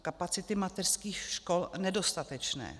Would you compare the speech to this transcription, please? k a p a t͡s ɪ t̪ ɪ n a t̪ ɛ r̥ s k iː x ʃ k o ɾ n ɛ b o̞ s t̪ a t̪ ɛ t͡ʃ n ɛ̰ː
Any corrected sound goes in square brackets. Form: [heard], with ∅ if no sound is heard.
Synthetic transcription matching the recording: k a p a t͡s ɪ t̪ ɪ [m] a t̪ ɛ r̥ s k iː x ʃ k o [l] n ɛ [d] o̞ s t̪ a t̪ ɛ t͡ʃ n ɛ̰ː